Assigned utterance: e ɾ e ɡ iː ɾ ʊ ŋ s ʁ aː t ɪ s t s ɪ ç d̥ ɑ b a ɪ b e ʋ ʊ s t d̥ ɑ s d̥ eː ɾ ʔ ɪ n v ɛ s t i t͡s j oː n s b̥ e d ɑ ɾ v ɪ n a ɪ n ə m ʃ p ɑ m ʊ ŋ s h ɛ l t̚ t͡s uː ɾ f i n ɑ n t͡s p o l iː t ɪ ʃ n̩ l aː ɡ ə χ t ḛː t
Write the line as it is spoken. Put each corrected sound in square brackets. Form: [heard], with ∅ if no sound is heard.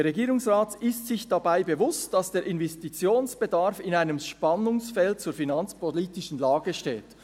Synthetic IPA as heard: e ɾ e ɡ iː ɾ ʊ ŋ s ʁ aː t ɪ s t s ɪ ç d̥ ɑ b a ɪ b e [v] ʊ s t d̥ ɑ s d̥ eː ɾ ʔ ɪ n v ɛ s t i t͡s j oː n s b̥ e d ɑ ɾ [f] ɪ n a ɪ n ə m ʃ p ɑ [n] ʊ ŋ s [f] ɛ l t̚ t͡s uː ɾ f i n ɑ n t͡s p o l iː t ɪ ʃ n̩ l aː ɡ ə [ʃ] t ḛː t